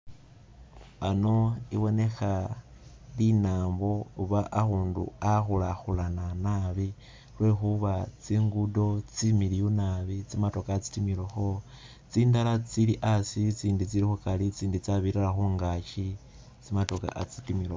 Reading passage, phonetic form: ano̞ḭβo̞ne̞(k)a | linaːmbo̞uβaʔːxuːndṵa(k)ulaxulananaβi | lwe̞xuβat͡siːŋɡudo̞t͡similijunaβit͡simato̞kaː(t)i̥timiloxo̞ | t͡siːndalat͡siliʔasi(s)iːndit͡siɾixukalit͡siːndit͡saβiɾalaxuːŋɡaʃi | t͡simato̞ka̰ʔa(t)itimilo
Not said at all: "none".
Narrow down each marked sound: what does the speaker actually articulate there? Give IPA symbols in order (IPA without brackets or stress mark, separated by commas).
x, x, t͡s, t͡s, t͡s